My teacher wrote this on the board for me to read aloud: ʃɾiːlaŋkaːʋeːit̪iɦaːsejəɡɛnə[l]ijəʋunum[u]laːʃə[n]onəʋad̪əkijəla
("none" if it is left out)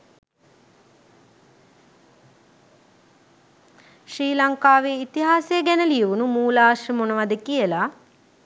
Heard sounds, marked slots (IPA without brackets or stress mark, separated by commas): l, uː, m